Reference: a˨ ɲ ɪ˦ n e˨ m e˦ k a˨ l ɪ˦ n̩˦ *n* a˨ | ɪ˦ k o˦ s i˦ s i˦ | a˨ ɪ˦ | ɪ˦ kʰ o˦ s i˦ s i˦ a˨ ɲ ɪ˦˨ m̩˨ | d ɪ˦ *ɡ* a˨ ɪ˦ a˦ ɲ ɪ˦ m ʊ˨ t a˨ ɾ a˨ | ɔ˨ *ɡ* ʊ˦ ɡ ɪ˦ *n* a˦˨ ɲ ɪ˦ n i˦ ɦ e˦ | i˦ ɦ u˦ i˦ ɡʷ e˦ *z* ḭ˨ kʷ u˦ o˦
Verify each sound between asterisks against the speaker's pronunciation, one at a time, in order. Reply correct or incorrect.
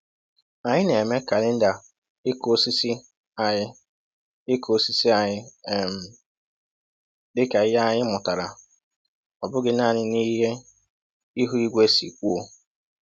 incorrect, incorrect, incorrect, correct, incorrect

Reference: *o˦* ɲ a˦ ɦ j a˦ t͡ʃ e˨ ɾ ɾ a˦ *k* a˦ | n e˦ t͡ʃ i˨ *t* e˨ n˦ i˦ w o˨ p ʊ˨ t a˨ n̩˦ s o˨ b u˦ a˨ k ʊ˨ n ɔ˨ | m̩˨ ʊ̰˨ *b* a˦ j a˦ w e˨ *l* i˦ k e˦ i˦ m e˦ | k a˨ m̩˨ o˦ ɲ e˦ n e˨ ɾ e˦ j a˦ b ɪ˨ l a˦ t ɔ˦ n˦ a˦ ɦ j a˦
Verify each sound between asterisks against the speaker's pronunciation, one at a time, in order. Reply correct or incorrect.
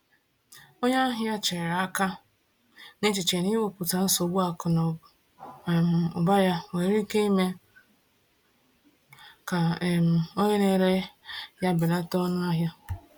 correct, correct, incorrect, correct, incorrect

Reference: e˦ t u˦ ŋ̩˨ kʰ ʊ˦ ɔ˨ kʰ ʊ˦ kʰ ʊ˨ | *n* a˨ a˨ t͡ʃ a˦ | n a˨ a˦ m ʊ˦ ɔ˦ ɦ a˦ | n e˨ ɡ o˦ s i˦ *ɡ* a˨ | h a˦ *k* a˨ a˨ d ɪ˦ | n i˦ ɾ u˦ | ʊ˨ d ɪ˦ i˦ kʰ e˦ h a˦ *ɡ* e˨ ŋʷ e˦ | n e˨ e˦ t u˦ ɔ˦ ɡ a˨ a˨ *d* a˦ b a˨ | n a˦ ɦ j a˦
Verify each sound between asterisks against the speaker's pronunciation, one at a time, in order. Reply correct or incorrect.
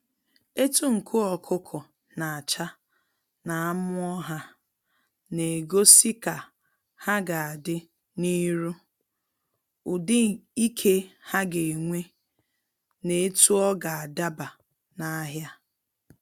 correct, incorrect, incorrect, correct, correct

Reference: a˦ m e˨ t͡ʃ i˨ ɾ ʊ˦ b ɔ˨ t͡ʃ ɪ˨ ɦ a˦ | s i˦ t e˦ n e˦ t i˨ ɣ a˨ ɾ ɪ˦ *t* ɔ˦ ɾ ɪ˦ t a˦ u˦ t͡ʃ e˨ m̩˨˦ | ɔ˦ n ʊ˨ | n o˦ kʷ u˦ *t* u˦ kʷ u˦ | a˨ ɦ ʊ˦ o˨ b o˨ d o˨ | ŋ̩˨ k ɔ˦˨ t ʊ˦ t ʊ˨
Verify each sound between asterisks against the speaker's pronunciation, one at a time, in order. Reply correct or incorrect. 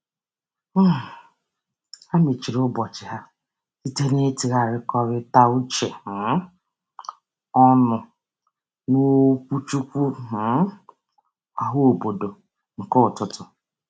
incorrect, incorrect

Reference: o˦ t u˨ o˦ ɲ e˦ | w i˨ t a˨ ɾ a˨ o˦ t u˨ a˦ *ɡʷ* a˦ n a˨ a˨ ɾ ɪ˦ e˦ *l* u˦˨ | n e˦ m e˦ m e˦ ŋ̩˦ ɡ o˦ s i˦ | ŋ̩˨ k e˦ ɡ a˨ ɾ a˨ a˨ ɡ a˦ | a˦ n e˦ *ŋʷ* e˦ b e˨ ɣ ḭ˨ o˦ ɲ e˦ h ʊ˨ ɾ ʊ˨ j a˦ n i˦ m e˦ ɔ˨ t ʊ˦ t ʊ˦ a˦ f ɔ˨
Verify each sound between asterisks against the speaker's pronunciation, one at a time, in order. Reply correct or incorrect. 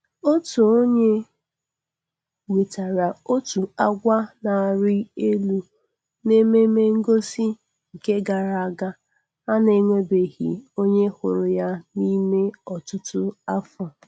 correct, correct, correct

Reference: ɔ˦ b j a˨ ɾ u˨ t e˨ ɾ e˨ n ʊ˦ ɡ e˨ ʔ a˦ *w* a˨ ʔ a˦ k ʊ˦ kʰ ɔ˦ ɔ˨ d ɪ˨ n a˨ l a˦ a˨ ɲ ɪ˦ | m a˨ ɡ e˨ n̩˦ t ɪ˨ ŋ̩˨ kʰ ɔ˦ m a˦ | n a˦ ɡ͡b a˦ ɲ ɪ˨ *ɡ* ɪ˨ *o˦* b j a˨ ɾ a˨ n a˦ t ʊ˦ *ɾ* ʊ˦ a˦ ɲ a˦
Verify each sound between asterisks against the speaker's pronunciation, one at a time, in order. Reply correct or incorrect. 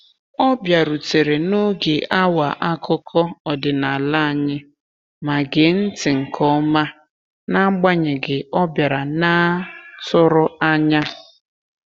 correct, correct, incorrect, correct

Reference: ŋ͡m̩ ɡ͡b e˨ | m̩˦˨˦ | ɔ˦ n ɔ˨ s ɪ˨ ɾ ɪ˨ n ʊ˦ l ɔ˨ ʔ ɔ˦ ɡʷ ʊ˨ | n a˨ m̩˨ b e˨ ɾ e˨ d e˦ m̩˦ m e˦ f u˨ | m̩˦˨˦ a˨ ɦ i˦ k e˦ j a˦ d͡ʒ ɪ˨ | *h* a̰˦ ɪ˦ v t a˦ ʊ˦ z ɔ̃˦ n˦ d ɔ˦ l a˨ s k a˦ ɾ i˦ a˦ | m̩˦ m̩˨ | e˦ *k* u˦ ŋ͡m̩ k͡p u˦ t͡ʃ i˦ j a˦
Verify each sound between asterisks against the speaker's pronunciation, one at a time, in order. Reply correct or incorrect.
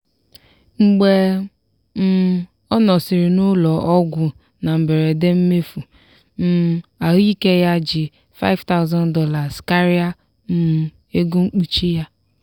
incorrect, incorrect

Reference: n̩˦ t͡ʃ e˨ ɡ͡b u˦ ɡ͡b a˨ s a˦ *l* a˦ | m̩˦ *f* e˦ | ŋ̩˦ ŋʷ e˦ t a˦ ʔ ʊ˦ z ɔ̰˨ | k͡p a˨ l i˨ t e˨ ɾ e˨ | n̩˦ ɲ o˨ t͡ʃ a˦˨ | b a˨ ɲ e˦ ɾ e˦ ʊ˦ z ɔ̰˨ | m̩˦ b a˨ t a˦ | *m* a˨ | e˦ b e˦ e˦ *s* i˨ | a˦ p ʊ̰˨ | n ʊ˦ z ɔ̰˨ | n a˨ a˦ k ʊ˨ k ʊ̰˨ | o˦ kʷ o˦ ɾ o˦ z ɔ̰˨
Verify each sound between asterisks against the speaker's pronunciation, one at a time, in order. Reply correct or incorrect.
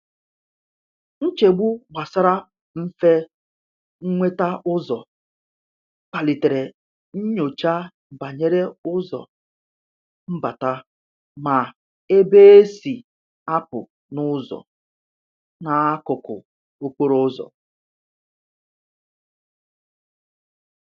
incorrect, correct, correct, correct

